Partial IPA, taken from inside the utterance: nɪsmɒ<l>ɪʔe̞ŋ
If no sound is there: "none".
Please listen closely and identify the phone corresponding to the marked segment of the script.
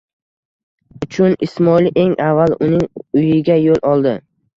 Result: l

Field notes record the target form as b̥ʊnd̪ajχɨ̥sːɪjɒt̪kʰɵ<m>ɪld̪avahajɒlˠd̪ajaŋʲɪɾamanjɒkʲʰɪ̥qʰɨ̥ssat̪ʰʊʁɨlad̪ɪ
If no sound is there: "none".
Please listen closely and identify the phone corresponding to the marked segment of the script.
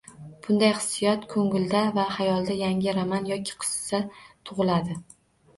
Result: ŋ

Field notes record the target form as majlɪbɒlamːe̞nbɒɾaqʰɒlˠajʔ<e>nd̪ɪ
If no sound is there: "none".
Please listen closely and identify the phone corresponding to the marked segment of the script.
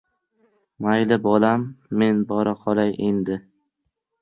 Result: e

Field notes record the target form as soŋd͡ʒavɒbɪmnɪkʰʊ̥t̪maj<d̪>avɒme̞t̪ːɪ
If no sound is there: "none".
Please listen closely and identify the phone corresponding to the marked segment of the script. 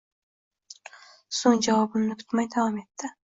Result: d̪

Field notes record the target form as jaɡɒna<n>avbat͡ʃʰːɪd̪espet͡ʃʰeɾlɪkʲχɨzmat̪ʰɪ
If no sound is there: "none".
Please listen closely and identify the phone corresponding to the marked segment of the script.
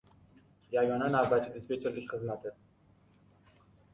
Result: n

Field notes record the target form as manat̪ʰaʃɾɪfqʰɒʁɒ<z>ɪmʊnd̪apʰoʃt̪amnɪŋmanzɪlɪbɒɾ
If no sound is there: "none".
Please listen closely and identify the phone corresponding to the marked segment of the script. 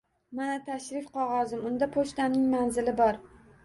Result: z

